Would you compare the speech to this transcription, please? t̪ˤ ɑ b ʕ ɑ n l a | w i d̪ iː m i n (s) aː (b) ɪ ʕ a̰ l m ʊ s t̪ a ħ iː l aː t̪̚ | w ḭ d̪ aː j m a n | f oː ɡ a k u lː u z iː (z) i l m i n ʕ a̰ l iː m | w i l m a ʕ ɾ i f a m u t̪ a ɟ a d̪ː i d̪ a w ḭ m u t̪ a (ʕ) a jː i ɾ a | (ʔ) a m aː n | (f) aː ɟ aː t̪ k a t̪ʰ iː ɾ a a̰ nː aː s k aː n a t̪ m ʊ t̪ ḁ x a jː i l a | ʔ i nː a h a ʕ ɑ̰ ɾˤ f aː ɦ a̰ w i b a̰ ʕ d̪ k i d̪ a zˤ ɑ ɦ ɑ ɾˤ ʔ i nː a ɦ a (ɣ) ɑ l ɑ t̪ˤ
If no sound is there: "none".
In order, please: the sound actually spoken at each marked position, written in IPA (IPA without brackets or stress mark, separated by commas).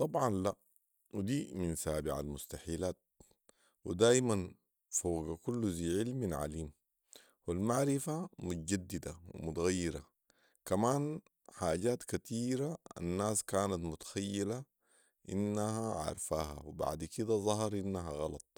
s, b, ʕ, ɣ, k, ħ, ɣ